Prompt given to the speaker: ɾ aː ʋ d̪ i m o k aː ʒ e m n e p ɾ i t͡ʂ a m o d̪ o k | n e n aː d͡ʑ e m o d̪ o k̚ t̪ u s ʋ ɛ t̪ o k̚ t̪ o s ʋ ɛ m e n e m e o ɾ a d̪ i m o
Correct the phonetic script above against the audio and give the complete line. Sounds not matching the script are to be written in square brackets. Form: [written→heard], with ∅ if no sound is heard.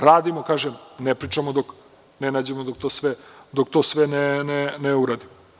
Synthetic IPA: ɾ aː [ʋ→∅] d̪ i m o k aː ʒ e m n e p ɾ i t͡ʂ a m o d̪ o k | n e n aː d͡ʑ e m o d̪ o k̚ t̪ [u→o] s ʋ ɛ [t̪→d̪] o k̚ t̪ o s ʋ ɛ [m→n] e n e [m→n] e [o→u] ɾ a d̪ i m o